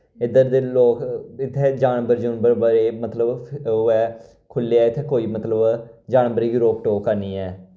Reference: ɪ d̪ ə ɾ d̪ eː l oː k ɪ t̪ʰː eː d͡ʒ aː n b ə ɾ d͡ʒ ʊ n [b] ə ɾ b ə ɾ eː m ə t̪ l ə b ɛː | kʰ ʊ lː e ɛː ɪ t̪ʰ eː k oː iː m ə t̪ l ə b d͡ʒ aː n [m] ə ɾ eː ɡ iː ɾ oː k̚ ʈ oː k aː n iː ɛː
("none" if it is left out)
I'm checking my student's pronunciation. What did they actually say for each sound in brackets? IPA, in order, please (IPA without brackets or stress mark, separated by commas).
b, b